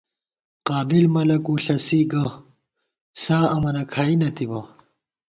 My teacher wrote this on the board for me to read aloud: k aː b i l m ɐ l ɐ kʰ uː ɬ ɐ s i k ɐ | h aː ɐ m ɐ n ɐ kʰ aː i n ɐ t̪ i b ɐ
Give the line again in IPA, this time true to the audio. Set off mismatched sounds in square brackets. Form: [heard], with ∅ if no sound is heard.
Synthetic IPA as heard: [q] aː b i l m ɐ l ɐ [k] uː ɬ ɐ s i [ɡ] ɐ | [s] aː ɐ m ɐ n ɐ kʰ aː i n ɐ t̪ i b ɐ